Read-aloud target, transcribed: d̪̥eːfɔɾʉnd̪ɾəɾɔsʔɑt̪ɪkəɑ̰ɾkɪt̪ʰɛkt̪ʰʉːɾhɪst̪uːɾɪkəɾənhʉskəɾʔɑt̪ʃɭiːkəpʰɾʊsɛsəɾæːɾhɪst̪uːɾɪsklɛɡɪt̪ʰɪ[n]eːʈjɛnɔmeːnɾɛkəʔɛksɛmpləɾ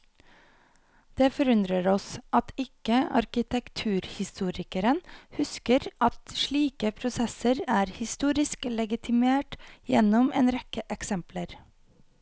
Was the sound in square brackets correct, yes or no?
no